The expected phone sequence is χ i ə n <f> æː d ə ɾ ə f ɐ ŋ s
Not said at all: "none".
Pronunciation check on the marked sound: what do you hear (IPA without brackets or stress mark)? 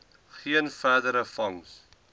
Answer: f